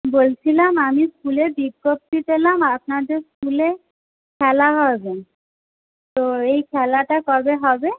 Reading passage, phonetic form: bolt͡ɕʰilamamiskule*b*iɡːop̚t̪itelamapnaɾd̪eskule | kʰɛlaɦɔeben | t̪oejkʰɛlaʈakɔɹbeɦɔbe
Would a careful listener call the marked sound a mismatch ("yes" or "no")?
no